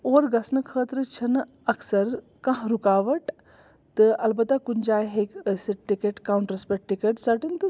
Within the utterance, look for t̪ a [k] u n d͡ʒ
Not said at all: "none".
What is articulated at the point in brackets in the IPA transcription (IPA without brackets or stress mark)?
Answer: k